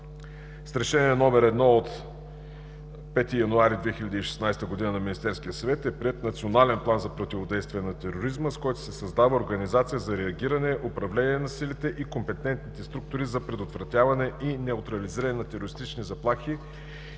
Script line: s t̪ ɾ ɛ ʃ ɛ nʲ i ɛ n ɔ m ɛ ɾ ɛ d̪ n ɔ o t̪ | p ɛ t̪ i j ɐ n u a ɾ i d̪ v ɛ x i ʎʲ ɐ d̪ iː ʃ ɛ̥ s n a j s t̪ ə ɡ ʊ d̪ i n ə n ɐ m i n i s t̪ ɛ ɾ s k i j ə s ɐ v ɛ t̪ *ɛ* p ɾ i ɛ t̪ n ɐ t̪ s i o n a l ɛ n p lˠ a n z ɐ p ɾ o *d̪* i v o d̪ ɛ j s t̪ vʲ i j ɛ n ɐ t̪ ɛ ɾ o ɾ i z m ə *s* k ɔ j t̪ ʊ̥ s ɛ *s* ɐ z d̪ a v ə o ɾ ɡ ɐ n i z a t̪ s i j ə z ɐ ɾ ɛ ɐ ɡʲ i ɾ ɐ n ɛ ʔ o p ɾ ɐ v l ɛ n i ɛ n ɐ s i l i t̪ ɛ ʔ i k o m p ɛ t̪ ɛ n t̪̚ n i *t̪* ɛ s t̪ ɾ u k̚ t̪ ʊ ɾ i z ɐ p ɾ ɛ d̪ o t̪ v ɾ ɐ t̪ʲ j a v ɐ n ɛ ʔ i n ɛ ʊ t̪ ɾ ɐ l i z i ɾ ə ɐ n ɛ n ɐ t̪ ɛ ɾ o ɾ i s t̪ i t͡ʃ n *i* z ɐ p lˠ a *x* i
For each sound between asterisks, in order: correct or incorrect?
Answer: correct, incorrect: t̪, correct, correct, correct, correct, correct

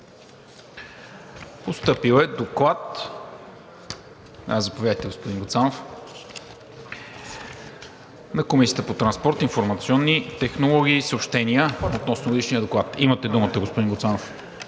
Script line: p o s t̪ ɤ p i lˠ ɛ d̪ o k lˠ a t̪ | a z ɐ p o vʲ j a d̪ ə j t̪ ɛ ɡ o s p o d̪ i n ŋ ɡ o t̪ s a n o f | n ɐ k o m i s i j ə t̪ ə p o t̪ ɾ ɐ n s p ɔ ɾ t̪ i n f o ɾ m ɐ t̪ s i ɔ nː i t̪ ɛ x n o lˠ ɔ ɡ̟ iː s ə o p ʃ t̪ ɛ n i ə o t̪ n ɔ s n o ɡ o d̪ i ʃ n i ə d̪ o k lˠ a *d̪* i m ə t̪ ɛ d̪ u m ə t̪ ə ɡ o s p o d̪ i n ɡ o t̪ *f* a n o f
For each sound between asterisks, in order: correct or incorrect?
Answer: incorrect: t̪, incorrect: s

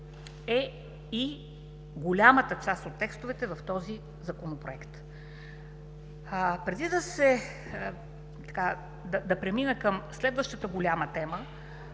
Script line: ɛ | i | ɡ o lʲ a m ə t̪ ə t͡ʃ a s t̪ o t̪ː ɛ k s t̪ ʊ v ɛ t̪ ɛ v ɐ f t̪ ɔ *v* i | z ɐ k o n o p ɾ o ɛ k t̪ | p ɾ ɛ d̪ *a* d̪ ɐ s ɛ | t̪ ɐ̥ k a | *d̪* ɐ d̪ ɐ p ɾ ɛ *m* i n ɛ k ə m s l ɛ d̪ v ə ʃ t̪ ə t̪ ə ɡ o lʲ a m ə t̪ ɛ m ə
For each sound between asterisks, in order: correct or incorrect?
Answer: incorrect: z, incorrect: i, correct, correct

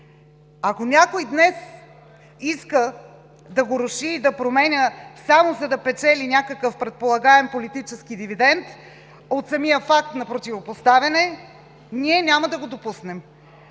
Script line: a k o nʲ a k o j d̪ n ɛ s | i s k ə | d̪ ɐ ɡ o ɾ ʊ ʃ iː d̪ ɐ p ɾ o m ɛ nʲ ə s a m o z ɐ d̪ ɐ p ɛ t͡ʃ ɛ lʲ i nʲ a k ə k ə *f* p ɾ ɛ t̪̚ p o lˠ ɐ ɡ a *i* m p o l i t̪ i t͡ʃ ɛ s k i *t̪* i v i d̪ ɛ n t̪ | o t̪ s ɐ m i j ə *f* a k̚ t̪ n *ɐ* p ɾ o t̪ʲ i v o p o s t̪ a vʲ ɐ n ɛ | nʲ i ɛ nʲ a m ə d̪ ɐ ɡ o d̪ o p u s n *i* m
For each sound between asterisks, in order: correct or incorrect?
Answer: correct, incorrect: ɛ, incorrect: d̪, correct, correct, incorrect: ɛ

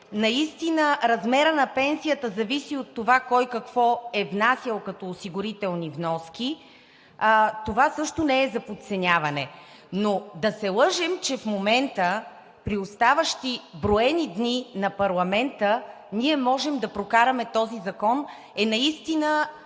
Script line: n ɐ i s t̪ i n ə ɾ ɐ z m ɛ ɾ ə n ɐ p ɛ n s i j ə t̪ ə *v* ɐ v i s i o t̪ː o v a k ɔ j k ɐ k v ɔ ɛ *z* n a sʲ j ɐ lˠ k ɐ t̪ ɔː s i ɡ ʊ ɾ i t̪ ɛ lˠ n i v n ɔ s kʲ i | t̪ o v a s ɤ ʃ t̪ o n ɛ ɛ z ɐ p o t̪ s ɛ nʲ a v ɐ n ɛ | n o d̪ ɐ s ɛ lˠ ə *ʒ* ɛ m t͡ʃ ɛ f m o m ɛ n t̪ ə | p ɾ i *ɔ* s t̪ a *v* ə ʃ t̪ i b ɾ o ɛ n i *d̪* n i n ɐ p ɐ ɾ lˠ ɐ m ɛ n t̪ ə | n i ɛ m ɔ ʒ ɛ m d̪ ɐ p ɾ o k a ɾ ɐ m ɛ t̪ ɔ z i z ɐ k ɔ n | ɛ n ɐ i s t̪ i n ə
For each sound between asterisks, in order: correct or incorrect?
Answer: incorrect: z, incorrect: v, correct, incorrect: o, correct, correct

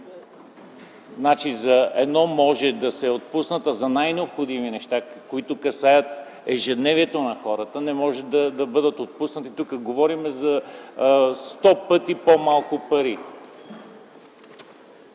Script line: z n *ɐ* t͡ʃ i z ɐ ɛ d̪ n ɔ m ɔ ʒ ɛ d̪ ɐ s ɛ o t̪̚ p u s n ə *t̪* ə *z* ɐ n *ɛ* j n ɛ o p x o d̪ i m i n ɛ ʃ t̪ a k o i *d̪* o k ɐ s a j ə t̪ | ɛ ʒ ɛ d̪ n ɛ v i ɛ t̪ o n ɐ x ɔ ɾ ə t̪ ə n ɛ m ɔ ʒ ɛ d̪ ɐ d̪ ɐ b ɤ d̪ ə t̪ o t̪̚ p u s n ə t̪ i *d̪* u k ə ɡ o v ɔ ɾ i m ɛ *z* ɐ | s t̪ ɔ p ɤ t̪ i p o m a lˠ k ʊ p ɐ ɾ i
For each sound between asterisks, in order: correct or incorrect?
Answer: incorrect: a, correct, correct, incorrect: a, incorrect: t̪, incorrect: t̪, correct

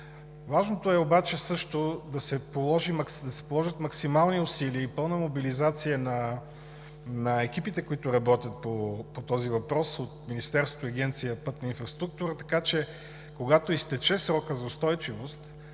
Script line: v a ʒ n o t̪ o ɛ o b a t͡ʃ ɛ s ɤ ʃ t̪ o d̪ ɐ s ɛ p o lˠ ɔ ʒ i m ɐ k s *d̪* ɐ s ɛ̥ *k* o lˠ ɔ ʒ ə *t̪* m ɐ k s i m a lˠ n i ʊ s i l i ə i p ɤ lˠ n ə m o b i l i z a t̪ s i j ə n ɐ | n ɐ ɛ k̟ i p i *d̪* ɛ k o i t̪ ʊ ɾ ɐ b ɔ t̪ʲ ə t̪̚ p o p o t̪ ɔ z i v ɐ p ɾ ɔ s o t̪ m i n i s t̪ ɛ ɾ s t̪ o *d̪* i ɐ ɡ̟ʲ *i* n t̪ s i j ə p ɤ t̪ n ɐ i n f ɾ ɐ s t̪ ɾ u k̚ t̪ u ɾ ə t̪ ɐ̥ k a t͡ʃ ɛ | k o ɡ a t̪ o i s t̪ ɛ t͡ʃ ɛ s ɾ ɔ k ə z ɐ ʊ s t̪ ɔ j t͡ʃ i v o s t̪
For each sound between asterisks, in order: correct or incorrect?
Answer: correct, incorrect: p, correct, incorrect: t̪, incorrect: t̪, incorrect: ɛ

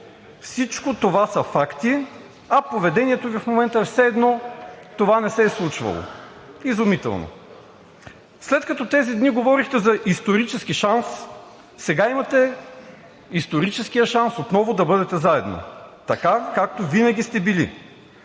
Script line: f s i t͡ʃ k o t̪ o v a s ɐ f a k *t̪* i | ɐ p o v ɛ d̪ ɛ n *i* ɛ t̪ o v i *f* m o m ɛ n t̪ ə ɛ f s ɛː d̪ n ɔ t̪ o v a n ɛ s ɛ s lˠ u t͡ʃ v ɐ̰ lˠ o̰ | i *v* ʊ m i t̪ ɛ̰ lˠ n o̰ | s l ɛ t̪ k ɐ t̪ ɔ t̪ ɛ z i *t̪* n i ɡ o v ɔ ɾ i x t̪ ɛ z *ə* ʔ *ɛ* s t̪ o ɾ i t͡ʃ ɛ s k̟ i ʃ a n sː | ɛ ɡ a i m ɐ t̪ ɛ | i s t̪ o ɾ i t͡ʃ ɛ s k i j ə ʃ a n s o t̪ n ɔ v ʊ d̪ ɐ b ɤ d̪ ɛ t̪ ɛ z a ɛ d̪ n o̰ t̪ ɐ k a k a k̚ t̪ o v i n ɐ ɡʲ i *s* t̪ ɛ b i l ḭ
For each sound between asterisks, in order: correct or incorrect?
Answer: correct, correct, correct, incorrect: z, incorrect: d̪, incorrect: ɐ, incorrect: i, correct

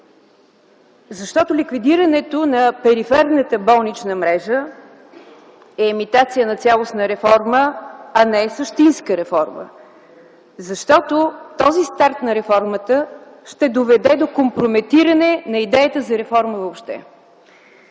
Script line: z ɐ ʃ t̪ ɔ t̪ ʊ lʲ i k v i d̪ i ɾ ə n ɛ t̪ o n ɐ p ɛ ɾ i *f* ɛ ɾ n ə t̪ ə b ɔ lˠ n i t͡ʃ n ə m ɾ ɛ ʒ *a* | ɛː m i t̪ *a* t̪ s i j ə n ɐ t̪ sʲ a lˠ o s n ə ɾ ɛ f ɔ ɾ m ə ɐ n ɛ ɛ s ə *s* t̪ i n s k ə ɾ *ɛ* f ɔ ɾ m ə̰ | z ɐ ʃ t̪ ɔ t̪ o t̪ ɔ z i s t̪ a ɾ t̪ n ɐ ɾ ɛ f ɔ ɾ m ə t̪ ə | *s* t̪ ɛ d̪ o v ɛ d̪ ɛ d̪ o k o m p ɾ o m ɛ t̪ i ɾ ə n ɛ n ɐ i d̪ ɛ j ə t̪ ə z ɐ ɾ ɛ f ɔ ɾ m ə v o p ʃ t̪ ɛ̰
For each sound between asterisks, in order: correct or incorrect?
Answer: correct, incorrect: ə, correct, incorrect: ʃ, correct, incorrect: ʃ

